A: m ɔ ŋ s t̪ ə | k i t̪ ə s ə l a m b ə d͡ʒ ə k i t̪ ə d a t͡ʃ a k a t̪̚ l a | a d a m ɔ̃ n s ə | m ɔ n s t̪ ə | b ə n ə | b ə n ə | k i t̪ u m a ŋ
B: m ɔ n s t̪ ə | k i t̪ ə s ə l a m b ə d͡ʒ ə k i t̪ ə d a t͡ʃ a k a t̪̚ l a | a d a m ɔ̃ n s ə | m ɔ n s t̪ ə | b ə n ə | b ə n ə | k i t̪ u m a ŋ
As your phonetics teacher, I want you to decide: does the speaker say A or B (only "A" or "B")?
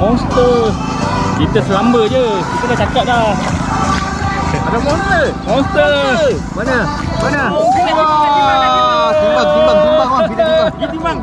B